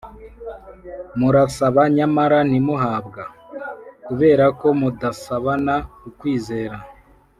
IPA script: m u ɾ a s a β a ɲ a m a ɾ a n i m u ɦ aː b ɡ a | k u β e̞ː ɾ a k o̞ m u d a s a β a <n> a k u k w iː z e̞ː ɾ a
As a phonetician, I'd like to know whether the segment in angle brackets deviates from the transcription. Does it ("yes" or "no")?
no